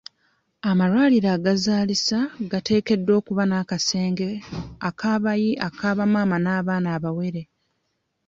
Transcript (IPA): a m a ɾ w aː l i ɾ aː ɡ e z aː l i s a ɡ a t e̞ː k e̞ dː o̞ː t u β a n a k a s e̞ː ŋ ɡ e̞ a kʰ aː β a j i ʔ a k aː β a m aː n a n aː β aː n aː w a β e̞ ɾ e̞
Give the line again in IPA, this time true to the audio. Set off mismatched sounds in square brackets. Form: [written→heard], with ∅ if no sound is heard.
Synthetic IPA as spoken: a m a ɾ w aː l i ɾ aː ɡ [e→a] z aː l i s a ɡ a t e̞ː k e̞ dː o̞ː [t→k] u β a n a k a s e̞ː ŋ ɡ e̞ a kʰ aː β a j i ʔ a k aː β a m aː [n→m] a n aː β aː n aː [w→β] a [β→w] e̞ ɾ e̞